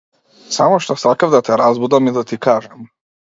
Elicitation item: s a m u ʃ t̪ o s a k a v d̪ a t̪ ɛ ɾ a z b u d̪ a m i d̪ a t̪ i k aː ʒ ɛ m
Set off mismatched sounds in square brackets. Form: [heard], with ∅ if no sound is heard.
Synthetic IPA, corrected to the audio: s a m [o] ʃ t̪ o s a k a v d̪ a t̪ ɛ ɾ a z b u d̪ a m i d̪ a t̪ i k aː ʒ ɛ m